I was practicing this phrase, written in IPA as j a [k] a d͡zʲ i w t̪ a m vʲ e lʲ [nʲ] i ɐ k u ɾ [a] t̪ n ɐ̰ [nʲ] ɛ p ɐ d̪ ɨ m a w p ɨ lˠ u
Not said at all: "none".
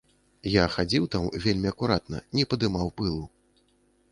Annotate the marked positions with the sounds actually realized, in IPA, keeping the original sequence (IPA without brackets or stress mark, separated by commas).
x, mʲ, a, nʲ